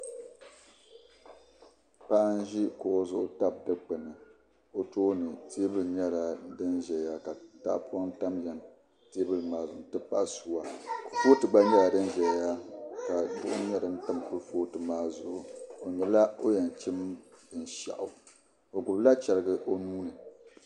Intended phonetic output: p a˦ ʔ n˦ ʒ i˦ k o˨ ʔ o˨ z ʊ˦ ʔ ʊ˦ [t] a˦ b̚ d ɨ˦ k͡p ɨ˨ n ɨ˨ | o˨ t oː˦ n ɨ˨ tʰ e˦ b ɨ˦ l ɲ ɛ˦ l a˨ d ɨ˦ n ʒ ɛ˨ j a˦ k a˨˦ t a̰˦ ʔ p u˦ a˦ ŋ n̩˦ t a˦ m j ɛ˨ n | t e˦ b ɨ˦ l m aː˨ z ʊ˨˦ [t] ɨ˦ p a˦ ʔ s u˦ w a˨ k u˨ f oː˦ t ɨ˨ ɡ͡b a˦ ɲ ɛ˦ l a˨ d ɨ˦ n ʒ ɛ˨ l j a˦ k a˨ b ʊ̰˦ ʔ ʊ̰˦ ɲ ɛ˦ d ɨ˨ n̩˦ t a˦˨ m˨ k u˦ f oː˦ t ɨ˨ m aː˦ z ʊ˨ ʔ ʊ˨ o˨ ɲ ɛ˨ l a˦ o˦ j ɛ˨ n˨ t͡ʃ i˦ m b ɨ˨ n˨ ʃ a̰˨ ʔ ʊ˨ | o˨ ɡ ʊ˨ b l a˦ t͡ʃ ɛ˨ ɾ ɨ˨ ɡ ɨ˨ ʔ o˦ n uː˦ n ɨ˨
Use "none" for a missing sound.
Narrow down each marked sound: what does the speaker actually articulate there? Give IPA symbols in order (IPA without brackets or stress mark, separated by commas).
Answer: t, t